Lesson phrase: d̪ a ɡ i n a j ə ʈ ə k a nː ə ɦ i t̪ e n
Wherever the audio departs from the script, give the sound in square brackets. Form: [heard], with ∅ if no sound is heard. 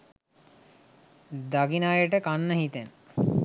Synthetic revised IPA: d̪ a ɡ i n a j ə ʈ ə k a nː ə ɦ i t̪ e n